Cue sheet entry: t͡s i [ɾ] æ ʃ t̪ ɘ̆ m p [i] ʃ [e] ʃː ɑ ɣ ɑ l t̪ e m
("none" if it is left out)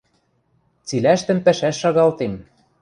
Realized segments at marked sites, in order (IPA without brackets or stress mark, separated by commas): l, æ, æ